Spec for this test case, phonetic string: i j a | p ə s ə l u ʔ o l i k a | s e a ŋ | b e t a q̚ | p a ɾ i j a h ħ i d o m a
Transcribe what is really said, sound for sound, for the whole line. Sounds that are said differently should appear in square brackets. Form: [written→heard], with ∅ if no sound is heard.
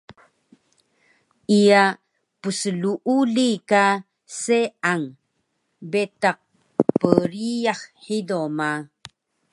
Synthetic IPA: i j a | p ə s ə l u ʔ [o→u] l i k a | s e a ŋ | b e t a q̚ | p [a→ə] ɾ i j a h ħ i d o m a